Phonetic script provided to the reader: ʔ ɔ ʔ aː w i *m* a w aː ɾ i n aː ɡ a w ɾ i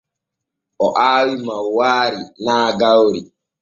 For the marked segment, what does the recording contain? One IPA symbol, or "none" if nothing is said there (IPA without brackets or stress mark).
m